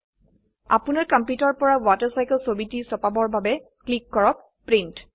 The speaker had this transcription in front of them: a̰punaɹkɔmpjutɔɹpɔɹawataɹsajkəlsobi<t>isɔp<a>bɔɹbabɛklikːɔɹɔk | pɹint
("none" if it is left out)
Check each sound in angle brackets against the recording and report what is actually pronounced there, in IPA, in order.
t, a

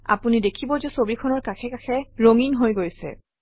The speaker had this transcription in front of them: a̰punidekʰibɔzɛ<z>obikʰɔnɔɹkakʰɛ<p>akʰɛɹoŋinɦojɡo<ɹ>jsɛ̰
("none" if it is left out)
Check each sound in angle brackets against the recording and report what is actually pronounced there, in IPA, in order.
s, k, none

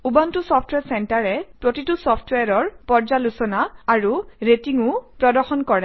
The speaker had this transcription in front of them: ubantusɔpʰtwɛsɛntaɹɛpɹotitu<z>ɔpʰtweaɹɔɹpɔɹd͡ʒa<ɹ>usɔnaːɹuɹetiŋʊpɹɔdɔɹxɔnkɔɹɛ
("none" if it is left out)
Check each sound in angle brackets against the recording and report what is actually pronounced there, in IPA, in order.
s, l

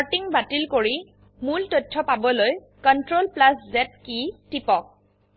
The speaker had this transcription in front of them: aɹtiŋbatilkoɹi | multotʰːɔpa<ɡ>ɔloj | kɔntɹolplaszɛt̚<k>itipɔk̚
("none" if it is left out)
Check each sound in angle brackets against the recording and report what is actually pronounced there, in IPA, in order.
b, k

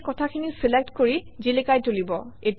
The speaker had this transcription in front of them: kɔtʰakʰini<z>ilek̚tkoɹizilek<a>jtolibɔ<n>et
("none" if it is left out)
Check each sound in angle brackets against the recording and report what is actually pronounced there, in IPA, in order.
s, a, none

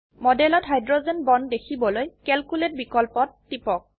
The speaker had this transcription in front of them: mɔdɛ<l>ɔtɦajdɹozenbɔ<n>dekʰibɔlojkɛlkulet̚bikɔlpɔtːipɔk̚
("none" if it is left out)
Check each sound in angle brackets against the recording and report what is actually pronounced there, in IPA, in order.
l, n

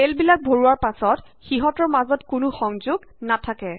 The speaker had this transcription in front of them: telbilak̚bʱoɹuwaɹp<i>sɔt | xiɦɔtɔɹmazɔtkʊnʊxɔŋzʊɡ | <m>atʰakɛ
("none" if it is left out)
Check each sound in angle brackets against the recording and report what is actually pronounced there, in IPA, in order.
a, n

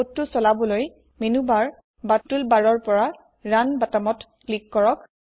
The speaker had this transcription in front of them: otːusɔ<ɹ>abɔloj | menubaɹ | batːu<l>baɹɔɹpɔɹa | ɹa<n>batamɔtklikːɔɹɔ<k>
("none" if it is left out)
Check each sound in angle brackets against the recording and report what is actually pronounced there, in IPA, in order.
l, l, n, k

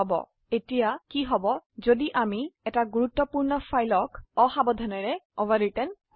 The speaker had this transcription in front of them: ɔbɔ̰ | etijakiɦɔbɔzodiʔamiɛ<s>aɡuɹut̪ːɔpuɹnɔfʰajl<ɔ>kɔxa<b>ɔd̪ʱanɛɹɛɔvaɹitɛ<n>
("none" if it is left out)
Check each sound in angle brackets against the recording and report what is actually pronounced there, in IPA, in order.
t, ɔ, b, n

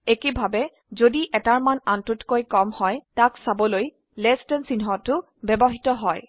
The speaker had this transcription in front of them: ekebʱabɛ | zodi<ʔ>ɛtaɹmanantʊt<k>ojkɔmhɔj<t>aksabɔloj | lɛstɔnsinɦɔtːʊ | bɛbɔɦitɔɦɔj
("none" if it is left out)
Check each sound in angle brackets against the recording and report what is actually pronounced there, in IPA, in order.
ʔ, k, t

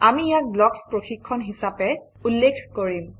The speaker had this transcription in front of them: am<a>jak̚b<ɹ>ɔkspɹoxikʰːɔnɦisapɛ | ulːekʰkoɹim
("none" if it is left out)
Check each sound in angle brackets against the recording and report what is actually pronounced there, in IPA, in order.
i, l

